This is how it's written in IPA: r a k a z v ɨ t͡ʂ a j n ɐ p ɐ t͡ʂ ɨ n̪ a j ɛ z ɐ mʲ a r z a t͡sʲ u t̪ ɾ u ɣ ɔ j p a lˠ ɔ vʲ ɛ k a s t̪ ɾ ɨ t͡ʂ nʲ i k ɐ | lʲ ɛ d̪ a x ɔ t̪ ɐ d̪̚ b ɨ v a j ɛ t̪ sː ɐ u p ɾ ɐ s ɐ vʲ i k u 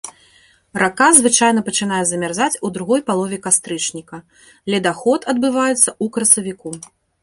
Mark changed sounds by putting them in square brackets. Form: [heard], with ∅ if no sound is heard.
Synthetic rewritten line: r a k a z v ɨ t͡ʂ a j n ɐ p ɐ t͡ʂ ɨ n̪ a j ɛ z ɐ mʲ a r z a t͡sʲ u [d̪] ɾ u ɣ ɔ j p a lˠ ɔ vʲ ɛ k a s t̪ ɾ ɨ t͡ʂ nʲ i k ɐ | lʲ ɛ d̪ a x ɔ t̪ ɐ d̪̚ b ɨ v a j ɛ t̪ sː ɐ u [k] ɾ ɐ s ɐ vʲ i k u